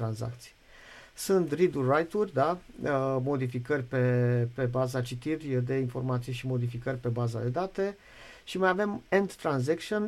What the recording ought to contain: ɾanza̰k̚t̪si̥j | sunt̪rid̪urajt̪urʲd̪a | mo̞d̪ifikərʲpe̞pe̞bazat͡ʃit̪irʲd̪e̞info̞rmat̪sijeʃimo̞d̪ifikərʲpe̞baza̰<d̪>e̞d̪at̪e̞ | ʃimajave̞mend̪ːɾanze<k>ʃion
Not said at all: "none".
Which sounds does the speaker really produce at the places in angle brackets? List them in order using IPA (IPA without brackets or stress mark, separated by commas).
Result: d̪, k